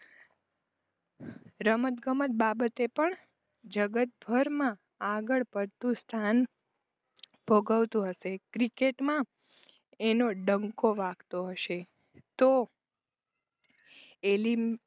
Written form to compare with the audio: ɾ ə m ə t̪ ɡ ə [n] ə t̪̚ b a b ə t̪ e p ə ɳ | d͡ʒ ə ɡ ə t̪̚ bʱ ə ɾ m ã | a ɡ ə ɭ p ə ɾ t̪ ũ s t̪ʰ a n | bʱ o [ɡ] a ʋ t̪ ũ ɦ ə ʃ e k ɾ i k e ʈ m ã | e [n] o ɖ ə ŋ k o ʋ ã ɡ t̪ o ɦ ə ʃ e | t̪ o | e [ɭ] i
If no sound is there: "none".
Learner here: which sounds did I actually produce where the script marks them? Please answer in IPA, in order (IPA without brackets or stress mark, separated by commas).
m, ɡ, n, l